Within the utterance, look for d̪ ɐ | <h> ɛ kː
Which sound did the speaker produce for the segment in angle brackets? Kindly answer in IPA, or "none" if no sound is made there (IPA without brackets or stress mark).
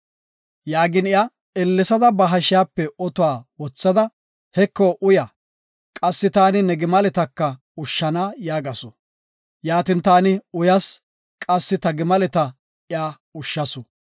h